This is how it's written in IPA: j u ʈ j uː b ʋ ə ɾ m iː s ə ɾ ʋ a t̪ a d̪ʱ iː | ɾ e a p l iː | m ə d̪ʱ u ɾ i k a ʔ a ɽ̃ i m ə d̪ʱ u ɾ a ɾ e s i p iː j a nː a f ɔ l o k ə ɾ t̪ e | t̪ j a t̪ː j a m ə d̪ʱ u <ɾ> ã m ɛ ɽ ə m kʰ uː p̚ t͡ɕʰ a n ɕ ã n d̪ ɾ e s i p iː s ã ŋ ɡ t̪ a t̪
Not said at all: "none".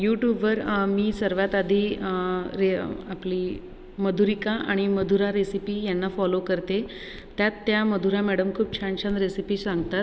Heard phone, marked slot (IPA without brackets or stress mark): ɾ